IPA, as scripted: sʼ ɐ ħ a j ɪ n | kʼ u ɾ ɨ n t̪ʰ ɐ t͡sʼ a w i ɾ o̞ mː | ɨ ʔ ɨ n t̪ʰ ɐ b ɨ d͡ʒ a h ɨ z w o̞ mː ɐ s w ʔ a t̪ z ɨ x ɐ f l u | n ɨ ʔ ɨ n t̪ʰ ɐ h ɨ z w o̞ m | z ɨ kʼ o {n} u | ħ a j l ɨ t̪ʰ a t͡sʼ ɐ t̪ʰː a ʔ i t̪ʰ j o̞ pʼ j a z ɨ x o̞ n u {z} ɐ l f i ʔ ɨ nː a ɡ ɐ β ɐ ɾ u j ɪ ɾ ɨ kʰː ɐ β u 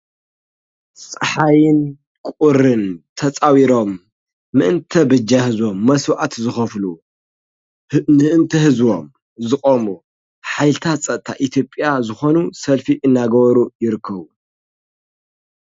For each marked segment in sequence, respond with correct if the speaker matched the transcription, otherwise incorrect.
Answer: incorrect: m, incorrect: s

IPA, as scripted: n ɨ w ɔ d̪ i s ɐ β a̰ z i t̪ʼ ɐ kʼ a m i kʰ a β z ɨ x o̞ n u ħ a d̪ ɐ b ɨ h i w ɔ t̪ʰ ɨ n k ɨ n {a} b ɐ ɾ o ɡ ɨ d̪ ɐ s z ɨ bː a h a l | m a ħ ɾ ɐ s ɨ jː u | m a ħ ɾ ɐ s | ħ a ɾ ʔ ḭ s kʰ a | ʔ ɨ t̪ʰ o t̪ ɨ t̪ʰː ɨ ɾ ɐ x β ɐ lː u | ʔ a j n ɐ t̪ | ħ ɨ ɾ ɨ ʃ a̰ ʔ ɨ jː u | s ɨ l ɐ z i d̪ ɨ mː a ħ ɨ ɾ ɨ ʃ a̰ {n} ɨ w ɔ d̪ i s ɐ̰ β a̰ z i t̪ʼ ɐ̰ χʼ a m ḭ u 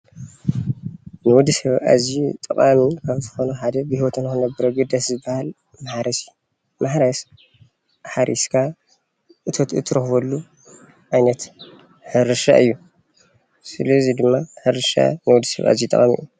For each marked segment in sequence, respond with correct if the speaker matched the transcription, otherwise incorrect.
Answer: incorrect: ɐ, correct

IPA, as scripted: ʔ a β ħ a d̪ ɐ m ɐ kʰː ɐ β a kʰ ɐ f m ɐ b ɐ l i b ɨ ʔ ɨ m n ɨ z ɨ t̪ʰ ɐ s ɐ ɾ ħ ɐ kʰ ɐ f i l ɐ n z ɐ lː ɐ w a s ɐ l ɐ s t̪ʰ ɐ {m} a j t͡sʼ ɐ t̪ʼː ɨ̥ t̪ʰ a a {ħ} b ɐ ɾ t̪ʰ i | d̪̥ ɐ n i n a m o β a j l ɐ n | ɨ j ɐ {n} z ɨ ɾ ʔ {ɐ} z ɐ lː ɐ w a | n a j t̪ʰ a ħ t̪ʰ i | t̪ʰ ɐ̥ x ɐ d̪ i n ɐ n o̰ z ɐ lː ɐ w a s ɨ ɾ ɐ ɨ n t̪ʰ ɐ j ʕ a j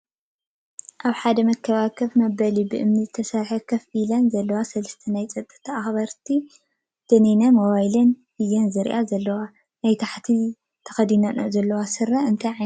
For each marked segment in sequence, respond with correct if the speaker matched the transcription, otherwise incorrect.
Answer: incorrect: n, incorrect: x, correct, incorrect: a

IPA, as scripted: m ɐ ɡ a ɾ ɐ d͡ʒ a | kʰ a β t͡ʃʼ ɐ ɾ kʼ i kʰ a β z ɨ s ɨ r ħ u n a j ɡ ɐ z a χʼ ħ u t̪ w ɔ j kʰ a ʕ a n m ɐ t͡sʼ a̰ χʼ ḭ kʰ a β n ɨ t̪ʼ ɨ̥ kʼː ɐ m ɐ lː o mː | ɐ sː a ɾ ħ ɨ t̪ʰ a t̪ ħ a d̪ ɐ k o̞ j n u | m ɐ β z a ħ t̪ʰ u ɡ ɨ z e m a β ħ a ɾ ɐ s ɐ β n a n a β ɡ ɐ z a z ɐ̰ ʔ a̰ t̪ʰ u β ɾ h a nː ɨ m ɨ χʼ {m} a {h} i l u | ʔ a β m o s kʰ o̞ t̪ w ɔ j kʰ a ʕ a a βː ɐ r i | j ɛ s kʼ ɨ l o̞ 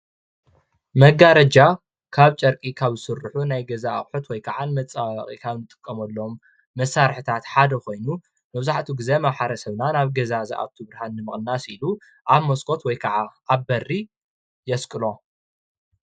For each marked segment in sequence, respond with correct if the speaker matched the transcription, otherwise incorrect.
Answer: incorrect: n, incorrect: s

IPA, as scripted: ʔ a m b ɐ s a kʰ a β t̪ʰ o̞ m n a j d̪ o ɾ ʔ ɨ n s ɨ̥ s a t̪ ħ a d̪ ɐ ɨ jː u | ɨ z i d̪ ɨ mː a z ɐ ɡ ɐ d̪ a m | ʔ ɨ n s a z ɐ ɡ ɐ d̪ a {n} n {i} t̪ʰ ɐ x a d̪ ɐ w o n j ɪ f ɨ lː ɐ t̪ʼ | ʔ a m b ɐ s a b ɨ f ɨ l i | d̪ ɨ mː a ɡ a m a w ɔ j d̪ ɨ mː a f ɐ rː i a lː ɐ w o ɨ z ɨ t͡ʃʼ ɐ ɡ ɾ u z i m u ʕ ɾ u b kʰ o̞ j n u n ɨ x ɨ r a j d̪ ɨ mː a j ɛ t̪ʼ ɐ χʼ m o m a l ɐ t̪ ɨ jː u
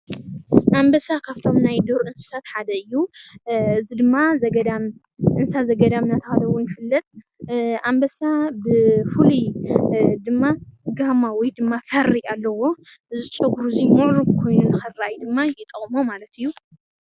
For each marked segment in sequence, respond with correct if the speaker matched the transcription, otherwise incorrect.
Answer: incorrect: m, incorrect: a

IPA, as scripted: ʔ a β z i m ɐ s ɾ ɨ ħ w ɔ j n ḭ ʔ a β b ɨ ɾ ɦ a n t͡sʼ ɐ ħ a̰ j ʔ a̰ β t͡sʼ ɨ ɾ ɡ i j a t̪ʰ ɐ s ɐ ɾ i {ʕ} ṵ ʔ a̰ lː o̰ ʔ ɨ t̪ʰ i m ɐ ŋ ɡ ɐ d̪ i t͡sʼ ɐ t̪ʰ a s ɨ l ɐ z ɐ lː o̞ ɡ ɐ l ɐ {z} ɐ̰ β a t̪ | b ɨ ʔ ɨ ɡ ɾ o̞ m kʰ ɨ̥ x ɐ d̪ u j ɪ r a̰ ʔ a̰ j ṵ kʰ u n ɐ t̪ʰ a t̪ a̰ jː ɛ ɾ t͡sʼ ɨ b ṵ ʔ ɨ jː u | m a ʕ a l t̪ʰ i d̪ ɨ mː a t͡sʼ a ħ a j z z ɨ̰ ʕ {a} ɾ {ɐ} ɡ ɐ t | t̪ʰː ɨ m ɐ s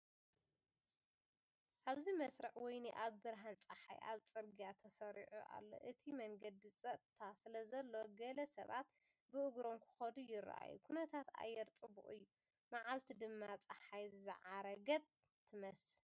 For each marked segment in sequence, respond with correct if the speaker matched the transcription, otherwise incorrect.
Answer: correct, incorrect: s, correct, correct

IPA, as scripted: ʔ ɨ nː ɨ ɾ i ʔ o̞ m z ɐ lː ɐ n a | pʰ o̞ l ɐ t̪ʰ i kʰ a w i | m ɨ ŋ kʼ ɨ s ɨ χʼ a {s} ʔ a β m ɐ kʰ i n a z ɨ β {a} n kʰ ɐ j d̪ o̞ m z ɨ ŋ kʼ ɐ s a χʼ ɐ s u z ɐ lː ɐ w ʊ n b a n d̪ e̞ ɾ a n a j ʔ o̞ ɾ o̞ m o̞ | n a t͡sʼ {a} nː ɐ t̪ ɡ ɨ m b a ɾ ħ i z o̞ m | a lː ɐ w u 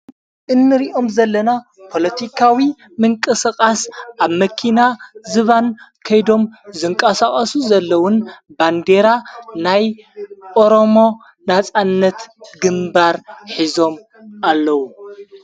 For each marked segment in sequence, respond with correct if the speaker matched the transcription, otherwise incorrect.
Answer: correct, correct, correct

